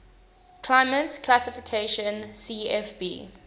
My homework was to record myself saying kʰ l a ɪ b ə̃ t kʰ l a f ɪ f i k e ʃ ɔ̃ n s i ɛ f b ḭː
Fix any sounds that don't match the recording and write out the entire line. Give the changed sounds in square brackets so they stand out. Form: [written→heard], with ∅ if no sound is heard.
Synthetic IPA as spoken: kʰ l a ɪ [b→m] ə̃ t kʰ l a [f→s] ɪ f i [k→kʰ] e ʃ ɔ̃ n s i ɛ f b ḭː